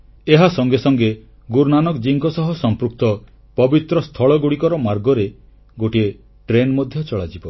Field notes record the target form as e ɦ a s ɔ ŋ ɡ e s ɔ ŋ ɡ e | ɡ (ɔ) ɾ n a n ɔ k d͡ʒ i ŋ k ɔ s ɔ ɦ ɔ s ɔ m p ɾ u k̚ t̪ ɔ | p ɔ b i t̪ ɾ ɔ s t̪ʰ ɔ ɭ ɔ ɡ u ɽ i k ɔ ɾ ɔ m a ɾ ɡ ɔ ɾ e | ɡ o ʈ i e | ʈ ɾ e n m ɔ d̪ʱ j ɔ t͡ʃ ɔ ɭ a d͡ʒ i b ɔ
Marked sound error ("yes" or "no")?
yes